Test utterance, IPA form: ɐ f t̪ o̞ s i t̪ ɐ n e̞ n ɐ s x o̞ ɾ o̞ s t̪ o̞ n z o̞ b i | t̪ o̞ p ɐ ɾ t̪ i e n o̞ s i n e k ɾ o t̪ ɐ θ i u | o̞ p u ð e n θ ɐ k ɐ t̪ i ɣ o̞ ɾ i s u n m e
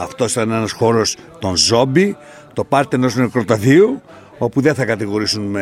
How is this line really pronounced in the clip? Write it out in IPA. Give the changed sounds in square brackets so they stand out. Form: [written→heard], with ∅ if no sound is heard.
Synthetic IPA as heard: ɐ f t̪ o̞ s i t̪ ɐ n e̞ n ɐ s x o̞ ɾ o̞ s t̪ o̞ n z o̞ b i | t̪ o̞ p ɐ ɾ t̪ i e n o̞ s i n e k ɾ o t̪ ɐ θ i u | o̞ p u ð e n θ ɐ k ɐ t̪ i ɣ o̞ ɾ i s u n m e